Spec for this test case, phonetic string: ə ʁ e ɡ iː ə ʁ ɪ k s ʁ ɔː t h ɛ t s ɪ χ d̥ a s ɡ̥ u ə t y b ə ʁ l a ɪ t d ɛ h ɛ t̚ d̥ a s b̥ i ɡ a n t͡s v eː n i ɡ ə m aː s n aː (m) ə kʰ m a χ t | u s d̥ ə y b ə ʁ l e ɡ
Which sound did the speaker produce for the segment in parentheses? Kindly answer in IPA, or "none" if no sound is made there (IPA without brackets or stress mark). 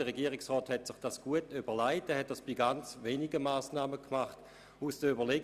m